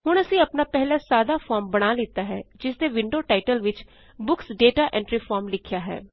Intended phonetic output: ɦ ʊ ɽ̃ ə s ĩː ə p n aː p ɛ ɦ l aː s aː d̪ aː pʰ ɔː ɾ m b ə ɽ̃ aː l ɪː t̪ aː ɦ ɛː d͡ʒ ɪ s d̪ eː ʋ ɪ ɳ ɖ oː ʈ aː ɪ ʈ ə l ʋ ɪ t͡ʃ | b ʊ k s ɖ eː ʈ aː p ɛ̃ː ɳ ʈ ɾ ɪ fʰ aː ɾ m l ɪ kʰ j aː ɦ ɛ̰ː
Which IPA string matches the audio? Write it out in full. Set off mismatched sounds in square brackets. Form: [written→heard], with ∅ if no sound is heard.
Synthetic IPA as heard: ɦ ʊ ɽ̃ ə s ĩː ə p n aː p ɛ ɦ l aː s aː d̪ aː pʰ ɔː ɾ m b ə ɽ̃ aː l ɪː t̪ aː ɦ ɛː d͡ʒ ɪ s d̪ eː ʋ ɪ ɳ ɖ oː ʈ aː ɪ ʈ ə l ʋ ɪ t͡ʃ | b ʊ k s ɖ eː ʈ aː [p→ʔ] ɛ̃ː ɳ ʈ ɾ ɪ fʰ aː ɾ m l ɪ kʰ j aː ɦ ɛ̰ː